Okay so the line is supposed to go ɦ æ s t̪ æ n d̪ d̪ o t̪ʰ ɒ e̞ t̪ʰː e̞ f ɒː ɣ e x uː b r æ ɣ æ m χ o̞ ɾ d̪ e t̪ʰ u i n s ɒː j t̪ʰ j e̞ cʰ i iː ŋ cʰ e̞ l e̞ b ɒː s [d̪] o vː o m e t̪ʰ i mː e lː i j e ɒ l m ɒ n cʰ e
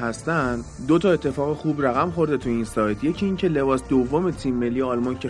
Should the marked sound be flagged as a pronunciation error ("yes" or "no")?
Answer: no